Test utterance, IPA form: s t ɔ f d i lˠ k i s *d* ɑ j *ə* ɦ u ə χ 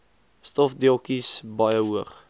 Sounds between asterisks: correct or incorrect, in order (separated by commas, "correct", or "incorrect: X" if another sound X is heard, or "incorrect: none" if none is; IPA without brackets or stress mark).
incorrect: b, correct